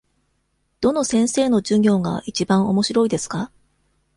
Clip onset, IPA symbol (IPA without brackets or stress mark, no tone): d̪̥